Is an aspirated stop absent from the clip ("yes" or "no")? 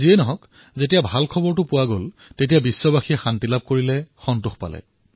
no